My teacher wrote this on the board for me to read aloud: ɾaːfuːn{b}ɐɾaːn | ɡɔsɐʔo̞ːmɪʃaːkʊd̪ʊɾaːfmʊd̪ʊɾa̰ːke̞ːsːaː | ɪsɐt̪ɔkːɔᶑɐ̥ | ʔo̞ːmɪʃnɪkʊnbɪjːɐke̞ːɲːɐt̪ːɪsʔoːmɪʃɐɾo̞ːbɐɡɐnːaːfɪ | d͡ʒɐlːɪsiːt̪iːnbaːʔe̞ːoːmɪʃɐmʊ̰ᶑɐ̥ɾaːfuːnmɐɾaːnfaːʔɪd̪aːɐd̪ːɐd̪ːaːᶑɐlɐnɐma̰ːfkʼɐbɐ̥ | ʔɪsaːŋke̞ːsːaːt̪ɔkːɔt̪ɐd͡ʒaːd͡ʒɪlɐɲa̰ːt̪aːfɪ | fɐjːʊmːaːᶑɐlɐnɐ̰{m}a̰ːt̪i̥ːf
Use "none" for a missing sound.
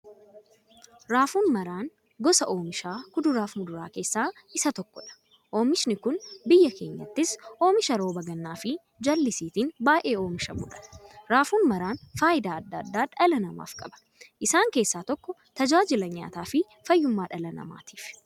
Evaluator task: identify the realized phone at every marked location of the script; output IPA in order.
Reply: m, m

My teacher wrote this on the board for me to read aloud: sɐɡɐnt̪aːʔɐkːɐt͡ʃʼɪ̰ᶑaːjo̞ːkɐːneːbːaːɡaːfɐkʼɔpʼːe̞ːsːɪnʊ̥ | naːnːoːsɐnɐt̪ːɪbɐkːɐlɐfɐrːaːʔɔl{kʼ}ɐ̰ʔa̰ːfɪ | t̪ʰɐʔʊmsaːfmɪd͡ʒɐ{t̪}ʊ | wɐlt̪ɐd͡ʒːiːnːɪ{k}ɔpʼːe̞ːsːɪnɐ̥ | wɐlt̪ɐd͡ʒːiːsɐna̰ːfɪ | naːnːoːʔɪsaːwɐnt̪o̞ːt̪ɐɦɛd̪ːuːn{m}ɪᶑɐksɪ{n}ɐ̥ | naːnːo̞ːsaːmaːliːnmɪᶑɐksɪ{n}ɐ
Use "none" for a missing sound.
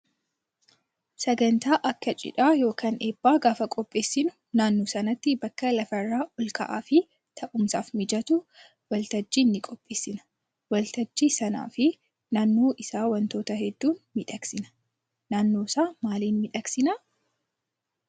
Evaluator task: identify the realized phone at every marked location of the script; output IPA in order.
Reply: k, t̪, kʼ, m, n, n

